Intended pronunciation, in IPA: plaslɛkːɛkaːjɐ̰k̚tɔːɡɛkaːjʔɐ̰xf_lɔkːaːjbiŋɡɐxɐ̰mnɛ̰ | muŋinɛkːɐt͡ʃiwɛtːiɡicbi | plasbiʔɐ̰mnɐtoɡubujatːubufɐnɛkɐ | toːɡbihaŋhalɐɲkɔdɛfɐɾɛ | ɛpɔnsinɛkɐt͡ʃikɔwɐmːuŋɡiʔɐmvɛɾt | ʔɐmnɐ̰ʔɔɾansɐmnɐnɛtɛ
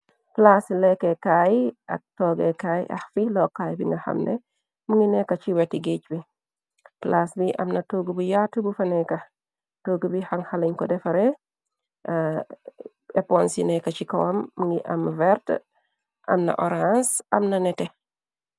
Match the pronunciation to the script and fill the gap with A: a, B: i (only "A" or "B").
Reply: B